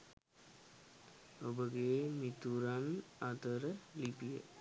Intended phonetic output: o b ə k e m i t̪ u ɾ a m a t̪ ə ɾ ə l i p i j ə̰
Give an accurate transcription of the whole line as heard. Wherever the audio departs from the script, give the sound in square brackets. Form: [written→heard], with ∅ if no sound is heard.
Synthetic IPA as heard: o b ə [k→ɡ] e m i t̪ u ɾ a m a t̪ ə ɾ ə l i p i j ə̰